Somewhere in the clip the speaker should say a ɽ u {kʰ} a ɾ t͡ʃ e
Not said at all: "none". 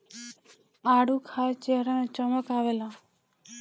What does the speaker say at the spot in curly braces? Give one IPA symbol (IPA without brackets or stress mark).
kʰ